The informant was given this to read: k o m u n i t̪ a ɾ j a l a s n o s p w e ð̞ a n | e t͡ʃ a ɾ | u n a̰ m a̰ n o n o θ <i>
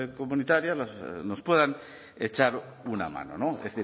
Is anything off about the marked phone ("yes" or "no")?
no